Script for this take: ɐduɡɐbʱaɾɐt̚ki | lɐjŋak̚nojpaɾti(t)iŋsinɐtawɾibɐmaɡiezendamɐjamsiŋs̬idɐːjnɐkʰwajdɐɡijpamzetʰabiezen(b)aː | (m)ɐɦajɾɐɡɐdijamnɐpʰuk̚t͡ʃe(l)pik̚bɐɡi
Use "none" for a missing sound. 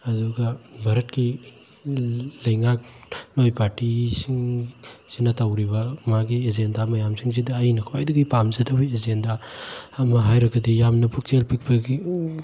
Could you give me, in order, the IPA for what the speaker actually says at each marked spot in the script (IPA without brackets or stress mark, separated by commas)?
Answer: s, d, m, l